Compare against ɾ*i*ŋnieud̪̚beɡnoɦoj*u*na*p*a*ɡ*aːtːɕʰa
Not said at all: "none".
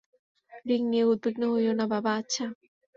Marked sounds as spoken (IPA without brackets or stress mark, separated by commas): i, o, b, b